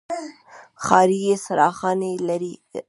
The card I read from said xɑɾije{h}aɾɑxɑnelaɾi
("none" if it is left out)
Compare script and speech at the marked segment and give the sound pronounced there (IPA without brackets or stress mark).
s